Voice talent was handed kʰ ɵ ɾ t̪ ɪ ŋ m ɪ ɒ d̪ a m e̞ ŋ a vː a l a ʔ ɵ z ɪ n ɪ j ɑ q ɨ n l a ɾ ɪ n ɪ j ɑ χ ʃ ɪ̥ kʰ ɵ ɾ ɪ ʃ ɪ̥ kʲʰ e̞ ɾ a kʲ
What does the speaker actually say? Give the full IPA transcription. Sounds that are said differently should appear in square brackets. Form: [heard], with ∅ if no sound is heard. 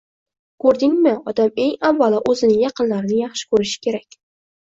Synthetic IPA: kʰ ɵ ɾ [d̪] ɪ ŋ m ɪ ɒ d̪ a m e̞ ŋ a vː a l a ʔ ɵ z ɪ n ɪ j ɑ q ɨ n l a ɾ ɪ n ɪ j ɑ χ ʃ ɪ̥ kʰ ɵ ɾ ɪ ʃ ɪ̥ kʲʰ e̞ ɾ a kʲ